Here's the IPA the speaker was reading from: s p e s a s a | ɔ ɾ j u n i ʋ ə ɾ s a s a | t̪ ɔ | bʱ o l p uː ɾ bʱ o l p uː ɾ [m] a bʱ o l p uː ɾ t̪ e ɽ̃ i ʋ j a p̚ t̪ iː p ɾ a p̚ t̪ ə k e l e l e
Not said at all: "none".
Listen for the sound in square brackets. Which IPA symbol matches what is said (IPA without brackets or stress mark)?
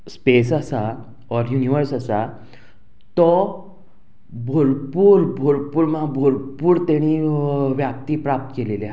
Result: m